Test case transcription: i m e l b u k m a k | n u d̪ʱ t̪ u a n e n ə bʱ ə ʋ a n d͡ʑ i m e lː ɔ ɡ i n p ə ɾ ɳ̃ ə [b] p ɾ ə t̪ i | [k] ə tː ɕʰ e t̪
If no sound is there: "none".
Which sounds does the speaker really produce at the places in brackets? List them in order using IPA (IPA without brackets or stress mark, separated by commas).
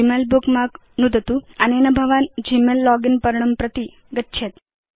m, ɡ